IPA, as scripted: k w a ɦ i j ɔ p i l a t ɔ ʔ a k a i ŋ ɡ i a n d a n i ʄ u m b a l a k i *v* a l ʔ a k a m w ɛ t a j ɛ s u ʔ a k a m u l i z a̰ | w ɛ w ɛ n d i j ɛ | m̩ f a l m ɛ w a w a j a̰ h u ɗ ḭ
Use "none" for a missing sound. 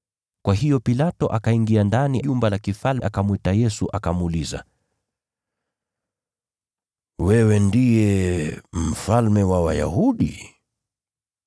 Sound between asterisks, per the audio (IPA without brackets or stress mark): f